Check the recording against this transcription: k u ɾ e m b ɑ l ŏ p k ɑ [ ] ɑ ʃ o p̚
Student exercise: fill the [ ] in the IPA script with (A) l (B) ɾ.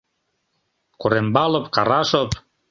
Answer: B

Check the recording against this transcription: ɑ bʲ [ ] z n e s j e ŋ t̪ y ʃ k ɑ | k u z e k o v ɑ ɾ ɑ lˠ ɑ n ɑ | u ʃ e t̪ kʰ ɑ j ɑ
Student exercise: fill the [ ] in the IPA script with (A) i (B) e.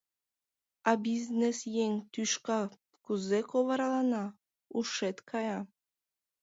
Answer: A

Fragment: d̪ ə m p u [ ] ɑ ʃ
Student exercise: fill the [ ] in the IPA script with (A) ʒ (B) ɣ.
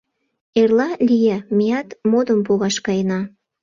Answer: B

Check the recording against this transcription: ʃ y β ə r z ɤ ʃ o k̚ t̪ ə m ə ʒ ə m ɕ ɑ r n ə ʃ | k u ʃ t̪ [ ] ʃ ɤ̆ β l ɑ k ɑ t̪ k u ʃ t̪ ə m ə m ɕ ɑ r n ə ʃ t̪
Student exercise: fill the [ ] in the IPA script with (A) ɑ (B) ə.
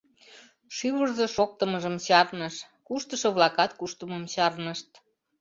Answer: B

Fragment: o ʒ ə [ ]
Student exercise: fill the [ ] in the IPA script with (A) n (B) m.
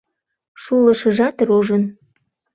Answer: A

